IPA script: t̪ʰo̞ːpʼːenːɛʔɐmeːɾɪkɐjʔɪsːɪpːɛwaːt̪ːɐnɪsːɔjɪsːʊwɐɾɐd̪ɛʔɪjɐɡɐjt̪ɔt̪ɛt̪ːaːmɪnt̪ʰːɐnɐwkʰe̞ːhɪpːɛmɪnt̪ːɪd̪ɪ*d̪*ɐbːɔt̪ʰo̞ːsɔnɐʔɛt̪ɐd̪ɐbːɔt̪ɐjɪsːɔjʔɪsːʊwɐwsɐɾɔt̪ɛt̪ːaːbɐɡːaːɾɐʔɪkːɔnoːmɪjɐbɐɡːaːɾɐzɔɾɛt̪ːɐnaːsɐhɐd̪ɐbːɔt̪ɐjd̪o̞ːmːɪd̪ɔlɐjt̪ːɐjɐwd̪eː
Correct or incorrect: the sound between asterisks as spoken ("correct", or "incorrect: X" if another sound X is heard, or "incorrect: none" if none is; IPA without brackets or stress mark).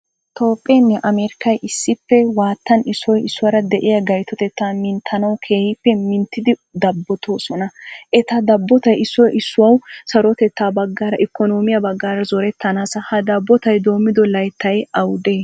correct